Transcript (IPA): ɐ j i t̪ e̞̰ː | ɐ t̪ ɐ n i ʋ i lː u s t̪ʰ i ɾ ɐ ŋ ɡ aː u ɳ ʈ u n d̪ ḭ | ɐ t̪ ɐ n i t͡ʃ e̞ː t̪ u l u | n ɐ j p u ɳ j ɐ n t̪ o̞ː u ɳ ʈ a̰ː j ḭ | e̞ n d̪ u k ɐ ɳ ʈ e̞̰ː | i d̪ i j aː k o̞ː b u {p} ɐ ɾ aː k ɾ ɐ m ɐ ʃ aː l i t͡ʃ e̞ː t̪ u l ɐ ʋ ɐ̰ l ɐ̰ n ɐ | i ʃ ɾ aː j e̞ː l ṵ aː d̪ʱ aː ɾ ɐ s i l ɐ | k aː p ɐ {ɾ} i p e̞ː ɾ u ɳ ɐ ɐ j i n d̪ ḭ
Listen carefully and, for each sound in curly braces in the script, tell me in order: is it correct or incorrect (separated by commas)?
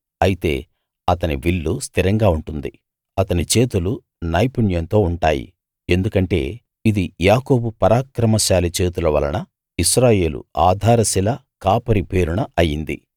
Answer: correct, correct